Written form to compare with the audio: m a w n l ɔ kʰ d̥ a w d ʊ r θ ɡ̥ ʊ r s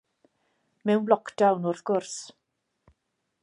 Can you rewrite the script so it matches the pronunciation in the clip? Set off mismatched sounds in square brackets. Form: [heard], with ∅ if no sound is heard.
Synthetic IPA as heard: m [ɛ] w n l ɔ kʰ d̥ a w [n] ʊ r θ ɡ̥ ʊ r s